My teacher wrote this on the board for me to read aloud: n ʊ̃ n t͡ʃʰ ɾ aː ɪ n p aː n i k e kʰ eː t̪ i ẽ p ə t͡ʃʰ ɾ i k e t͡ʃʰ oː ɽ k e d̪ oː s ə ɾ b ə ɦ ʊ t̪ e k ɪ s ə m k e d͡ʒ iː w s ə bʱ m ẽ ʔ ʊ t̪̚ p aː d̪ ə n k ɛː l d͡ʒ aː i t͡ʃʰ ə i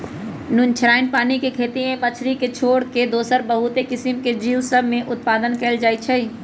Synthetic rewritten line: n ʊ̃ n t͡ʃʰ ɾ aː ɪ n p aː n i k e kʰ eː t̪ i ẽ p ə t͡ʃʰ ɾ i k e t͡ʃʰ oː ɽ k e d̪ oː s ə ɾ b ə ɦ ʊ t̪ e k ɪ s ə m k e d͡ʒ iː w s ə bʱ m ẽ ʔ ʊ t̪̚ p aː d̪ ə n k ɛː l d͡ʒ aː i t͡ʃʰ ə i

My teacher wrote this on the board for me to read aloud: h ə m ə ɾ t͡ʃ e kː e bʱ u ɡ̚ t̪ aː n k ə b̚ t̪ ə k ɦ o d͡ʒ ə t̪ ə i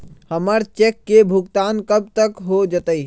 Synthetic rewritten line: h ə m ə ɾ t͡ʃ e kː e bʱ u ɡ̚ t̪ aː n k ə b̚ t̪ ə k ɦ o d͡ʒ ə t̪ ə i

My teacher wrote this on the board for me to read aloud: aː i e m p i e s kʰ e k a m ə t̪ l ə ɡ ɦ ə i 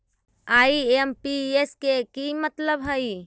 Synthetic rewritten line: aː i e m p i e s k e k i m ə t̪ l ə b ɦ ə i

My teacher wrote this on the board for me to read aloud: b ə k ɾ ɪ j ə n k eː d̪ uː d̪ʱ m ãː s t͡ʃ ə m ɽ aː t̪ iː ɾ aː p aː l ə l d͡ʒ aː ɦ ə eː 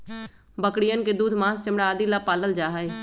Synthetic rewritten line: b ə k ɽ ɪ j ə n k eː d̪ uː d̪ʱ m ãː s t͡ʃ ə m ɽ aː d̪ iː l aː p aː l ə l d͡ʒ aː ɦ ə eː

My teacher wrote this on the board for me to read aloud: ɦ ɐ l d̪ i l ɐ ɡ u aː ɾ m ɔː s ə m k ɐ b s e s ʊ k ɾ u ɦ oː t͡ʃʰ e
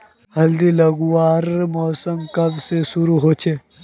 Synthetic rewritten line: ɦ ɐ l d̪ i l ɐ ɡ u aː ɾ m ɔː s ə m k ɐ b s e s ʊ ɾ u ɦ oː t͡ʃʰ e

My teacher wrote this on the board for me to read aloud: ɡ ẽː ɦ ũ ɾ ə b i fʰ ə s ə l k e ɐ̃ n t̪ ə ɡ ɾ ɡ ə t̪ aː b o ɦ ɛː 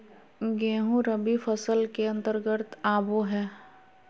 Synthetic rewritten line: ɡ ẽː ɦ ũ ɾ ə b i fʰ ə s ə l k e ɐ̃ n t̪ ə ɾ ɡ ə t̪ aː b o ɦ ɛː

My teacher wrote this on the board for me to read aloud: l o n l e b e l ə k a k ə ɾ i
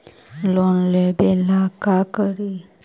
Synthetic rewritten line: l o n l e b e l a k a k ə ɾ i

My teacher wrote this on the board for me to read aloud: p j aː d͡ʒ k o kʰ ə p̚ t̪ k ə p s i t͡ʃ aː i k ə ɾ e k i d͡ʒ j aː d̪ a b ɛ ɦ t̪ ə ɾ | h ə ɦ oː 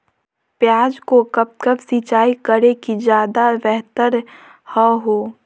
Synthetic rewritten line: p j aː d͡ʒ k o k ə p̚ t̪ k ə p s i t͡ʃ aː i k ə ɾ e k i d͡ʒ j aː d̪ a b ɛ ɦ t̪ ə ɾ | h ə ɦ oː

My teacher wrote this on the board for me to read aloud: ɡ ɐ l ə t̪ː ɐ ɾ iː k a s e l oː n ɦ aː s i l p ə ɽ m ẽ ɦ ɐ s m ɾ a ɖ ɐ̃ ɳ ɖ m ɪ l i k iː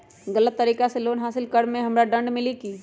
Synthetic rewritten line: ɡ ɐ l ə t̪ː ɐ ɾ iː k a s e l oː n ɦ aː s ɪ l k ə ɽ m ẽ ɦ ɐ m ɾ a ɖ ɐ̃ ɳ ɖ m ɪ l i k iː

